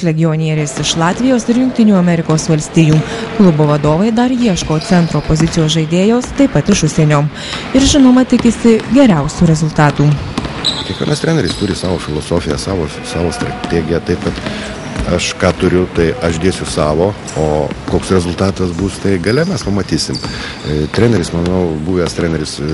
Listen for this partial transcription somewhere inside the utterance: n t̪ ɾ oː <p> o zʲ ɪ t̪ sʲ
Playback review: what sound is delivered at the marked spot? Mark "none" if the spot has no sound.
p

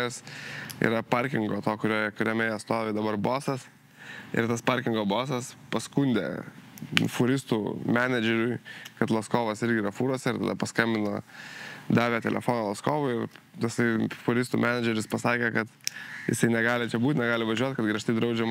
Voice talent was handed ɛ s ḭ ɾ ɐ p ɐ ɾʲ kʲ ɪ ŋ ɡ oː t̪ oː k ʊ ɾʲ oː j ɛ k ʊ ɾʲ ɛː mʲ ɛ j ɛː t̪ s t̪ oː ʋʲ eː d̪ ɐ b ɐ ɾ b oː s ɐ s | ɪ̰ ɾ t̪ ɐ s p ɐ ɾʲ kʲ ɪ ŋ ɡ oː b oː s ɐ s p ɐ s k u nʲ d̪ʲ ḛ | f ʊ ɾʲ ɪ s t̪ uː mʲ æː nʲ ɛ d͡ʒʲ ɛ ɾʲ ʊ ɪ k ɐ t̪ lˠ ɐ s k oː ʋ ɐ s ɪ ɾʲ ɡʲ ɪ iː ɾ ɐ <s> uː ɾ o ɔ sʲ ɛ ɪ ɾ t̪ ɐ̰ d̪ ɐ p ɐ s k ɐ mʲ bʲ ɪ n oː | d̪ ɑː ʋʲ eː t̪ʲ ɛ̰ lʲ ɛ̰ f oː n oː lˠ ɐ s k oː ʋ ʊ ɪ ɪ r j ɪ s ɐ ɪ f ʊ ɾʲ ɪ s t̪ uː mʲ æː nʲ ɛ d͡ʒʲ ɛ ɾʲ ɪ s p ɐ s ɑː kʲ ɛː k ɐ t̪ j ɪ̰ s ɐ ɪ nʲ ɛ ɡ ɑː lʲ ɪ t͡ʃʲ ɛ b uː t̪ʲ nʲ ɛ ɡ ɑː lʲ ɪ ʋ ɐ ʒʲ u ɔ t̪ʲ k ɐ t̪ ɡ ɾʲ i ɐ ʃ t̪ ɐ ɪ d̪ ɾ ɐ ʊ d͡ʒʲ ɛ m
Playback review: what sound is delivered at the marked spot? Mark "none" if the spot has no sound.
f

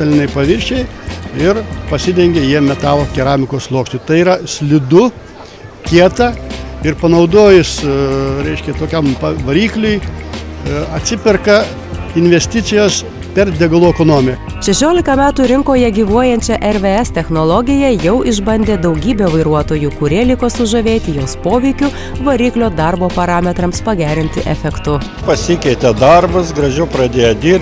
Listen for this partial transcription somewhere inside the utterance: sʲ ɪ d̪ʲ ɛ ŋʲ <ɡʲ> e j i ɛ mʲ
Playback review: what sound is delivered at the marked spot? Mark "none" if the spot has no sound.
ɡʲ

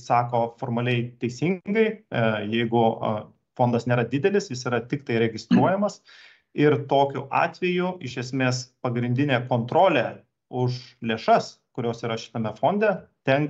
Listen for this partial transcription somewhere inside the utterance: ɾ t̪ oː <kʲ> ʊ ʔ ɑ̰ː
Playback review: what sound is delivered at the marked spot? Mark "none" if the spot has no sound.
kʲ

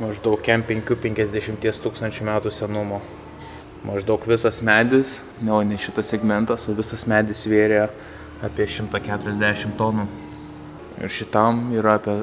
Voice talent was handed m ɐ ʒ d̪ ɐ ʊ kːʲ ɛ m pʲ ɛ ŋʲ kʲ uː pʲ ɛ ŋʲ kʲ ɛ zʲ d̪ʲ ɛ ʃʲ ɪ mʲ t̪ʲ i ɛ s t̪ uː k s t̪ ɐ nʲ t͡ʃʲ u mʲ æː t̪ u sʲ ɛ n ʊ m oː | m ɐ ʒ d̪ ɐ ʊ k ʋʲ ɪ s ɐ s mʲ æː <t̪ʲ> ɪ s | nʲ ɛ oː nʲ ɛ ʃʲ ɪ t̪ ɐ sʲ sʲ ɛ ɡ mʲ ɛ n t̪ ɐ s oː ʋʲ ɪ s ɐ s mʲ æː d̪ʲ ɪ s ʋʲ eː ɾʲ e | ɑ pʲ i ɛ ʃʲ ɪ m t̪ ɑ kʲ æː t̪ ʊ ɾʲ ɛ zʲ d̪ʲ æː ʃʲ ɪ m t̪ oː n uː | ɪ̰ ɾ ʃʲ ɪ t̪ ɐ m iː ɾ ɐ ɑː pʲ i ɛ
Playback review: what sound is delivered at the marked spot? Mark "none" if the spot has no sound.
d̪ʲ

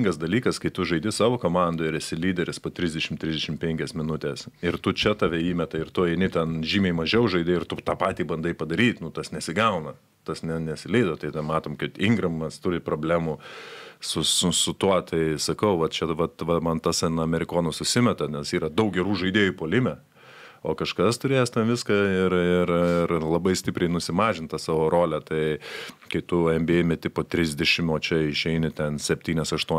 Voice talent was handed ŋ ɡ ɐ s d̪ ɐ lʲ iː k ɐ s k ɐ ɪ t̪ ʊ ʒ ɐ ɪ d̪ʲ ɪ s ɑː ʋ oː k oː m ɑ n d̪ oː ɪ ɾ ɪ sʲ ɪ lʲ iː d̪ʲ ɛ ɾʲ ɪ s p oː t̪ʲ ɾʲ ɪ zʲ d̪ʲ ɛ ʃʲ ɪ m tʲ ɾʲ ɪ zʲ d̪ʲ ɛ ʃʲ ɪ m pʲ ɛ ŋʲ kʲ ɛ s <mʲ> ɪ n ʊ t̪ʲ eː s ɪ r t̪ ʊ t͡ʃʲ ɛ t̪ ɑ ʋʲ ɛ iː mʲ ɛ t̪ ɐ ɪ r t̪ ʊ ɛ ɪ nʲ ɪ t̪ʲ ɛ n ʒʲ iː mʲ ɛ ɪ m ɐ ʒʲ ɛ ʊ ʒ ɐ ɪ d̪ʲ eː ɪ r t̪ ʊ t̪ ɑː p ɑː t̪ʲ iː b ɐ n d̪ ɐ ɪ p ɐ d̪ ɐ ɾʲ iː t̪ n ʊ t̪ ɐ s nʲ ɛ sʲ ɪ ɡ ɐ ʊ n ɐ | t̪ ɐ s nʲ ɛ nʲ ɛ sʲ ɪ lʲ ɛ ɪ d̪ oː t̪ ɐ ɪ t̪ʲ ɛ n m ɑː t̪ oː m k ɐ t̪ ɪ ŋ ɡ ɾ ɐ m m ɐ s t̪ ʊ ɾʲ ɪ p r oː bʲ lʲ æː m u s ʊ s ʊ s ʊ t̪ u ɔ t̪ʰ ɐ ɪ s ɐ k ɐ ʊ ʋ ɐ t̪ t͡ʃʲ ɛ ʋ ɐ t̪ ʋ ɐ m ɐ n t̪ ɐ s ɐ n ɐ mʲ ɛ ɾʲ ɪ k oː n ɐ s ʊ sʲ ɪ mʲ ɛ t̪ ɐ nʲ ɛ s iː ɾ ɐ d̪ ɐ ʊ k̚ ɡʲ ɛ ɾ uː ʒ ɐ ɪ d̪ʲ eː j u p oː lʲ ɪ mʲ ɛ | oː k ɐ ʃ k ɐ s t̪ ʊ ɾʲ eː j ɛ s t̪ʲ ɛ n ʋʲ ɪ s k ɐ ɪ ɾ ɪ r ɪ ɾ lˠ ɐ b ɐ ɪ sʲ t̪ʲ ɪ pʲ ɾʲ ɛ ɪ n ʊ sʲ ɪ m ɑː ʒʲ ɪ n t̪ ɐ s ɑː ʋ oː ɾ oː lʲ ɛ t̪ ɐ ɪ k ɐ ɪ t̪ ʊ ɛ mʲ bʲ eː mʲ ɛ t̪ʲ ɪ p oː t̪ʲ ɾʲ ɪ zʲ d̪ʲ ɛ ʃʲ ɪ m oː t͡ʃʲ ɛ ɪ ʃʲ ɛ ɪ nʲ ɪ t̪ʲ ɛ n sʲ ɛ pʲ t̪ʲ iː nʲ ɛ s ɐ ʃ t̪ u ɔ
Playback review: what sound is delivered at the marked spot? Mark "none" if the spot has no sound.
mʲ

